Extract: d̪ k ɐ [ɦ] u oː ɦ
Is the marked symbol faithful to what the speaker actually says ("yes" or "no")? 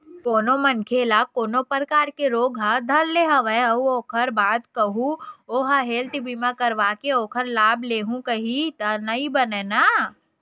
yes